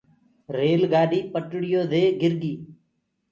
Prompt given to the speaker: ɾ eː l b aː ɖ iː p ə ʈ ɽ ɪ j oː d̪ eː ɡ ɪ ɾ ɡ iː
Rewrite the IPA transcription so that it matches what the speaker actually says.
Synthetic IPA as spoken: ɾ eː l ɡ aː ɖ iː p ə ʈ ɽ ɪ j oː d̪ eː ɡ ɪ ɾ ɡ iː